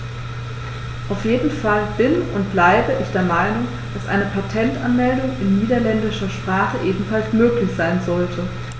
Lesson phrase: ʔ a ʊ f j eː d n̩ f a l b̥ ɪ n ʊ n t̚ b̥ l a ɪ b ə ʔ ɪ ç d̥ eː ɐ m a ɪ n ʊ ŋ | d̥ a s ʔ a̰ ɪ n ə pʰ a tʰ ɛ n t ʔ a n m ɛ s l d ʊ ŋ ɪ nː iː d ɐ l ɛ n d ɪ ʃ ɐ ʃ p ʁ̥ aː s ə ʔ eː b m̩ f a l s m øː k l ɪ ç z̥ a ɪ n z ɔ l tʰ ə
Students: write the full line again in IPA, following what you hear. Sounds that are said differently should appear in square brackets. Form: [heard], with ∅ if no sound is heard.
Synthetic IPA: ʔ a ʊ f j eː d n̩ f a l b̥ ɪ n ʊ n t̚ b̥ l a ɪ b ə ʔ ɪ ç d̥ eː ɐ m a ɪ n ʊ ŋ | d̥ a s ʔ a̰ ɪ n ə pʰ a tʰ ɛ n t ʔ a n m ɛ [∅] l d ʊ ŋ ɪ nː iː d ɐ l ɛ n d ɪ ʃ ɐ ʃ p ʁ̥ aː [χ] ə ʔ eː b m̩ f a l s m øː k l ɪ ç z̥ a ɪ n z ɔ l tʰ ə